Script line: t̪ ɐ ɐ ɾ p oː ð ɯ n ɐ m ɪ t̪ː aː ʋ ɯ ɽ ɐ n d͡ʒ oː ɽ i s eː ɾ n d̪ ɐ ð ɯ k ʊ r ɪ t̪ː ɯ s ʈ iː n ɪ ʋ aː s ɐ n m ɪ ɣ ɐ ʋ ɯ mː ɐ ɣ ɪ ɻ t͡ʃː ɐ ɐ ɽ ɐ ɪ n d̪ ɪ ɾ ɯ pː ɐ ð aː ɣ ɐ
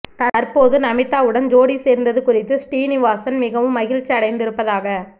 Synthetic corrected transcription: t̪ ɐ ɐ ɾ p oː ð ɯ n ɐ m ɪ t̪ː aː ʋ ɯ ɽ ɐ n d͡ʒ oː ɽ i s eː ɾ n d̪ ɐ ð ɯ k ʊ r ɪ t̪ː ɯ s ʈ iː n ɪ ʋ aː s ɐ n m ɪ ɣ ɐ ʋ ɯ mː ɐ ɣ ɪ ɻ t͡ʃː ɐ ɐ ɽ ɐ ɪ n d̪ ɪ ɾ ɯ pː ɐ ð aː ɣ ɐ